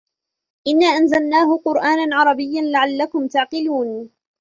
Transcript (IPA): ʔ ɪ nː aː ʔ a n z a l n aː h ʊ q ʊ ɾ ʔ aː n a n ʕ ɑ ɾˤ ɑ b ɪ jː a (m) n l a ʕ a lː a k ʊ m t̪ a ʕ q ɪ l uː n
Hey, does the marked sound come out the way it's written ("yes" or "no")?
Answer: no